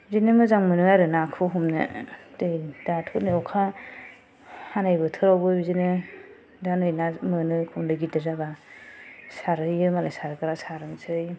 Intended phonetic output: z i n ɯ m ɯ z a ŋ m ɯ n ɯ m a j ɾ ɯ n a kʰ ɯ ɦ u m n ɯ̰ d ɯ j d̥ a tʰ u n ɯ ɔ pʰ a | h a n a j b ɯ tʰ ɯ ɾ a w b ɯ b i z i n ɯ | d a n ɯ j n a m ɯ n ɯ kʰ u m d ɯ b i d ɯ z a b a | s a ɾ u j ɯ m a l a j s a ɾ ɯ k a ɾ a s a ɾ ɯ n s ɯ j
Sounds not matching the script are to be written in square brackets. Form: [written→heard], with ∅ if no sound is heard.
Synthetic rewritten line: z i n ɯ m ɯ z a ŋ m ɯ n ɯ [m→∅] a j ɾ ɯ n a kʰ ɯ ɦ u m n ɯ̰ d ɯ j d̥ a tʰ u n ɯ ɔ [pʰ→kʰ] a | h a n a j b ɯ tʰ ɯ ɾ a w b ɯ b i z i n ɯ | d a n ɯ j n a m ɯ n ɯ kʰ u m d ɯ [b→ɡ] i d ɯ z a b a | s a ɾ [u→ɯ] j ɯ m a l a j s a ɾ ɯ k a ɾ a s a ɾ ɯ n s ɯ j